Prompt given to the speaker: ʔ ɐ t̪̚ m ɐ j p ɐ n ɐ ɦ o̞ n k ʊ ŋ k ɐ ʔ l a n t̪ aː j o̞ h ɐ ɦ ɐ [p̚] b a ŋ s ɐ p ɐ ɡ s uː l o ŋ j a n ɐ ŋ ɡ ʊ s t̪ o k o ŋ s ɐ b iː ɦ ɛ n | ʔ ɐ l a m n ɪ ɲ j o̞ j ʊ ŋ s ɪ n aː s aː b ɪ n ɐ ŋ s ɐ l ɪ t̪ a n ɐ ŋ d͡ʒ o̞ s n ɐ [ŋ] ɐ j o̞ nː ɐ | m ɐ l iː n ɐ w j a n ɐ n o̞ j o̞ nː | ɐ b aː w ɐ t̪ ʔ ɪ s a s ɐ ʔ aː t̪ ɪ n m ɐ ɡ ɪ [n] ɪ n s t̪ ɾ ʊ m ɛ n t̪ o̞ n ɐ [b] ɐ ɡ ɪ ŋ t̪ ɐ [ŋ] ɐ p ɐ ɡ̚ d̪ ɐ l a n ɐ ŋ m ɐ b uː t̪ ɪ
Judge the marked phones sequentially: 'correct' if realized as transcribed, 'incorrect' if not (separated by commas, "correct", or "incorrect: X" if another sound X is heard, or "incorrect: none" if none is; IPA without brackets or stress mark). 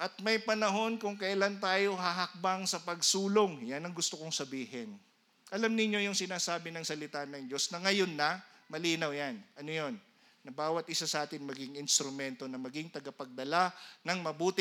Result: incorrect: k̚, correct, incorrect: ŋ, incorrect: m, incorrect: ɡ